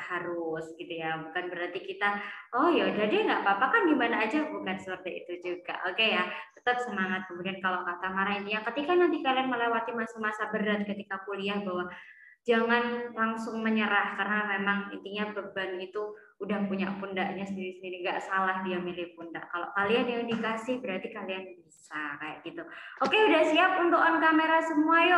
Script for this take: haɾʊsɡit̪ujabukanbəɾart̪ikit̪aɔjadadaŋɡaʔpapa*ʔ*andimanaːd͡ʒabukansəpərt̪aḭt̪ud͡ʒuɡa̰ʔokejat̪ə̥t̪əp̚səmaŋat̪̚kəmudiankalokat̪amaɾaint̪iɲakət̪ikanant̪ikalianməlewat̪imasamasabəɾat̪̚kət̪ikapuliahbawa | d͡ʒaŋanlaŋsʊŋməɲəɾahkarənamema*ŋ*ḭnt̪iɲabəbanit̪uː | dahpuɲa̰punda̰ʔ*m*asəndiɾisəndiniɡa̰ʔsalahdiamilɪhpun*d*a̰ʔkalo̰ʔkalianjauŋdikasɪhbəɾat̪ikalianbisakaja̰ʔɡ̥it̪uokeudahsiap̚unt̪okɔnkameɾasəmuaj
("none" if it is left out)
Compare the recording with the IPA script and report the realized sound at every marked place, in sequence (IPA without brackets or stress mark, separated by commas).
k, ŋ, ɲ, d